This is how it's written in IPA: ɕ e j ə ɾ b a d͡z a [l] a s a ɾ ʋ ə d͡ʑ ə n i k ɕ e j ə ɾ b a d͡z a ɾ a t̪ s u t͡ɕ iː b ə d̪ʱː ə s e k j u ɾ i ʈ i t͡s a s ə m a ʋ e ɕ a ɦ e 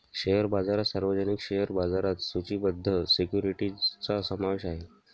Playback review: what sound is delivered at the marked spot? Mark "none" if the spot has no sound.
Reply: ɾ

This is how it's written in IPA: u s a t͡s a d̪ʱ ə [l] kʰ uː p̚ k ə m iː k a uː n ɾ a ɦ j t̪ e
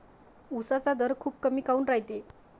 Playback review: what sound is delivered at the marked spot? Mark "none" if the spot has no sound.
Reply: ɾ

